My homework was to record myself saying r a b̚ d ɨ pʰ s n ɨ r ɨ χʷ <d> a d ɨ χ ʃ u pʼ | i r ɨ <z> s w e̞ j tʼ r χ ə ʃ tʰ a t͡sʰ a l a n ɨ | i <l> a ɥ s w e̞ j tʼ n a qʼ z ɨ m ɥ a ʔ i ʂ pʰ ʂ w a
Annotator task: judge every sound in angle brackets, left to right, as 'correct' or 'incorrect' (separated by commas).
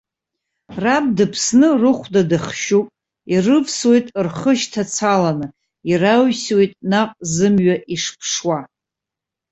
correct, incorrect, incorrect